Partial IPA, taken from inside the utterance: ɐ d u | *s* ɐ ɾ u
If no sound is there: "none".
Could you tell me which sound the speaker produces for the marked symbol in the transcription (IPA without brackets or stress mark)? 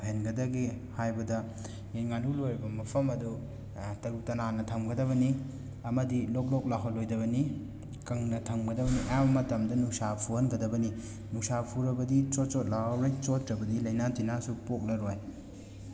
t